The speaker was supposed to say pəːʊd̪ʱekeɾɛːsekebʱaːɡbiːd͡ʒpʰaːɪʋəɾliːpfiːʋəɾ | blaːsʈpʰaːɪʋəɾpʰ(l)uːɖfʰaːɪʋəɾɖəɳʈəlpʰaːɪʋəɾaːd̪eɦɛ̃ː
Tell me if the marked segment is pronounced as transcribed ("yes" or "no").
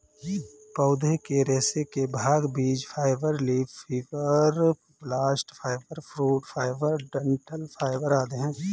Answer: no